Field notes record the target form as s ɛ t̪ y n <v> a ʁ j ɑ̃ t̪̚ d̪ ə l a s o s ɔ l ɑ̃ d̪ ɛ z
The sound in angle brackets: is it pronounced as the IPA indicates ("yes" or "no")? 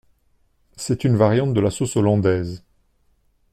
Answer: yes